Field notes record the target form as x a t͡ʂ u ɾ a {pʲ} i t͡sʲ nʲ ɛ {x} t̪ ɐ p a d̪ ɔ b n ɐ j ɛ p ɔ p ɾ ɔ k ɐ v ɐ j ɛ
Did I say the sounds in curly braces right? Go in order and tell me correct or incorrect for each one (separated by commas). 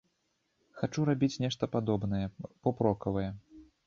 incorrect, incorrect